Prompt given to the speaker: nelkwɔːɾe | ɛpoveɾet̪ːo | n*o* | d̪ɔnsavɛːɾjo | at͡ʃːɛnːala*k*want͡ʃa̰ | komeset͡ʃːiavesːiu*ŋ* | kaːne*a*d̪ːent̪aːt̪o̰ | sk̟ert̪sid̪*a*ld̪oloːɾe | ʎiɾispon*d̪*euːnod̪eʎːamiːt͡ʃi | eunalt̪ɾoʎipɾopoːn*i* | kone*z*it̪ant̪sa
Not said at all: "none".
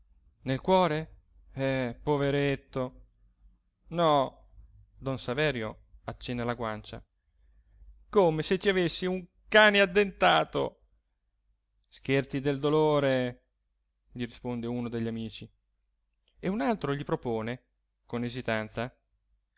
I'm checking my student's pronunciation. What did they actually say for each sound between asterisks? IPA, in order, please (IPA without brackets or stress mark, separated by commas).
ɔ, ɡ, ŋ, a, e, d̪, e, z